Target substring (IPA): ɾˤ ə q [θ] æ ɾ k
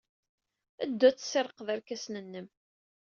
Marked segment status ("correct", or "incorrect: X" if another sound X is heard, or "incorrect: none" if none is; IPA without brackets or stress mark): incorrect: ð